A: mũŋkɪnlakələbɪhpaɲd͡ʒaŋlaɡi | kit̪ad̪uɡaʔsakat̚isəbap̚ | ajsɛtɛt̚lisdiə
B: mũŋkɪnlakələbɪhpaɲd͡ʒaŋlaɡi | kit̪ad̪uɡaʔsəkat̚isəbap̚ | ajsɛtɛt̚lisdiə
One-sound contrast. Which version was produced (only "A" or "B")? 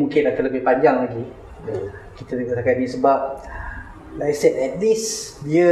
A